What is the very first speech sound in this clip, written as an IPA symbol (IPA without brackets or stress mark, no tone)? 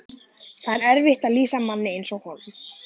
θ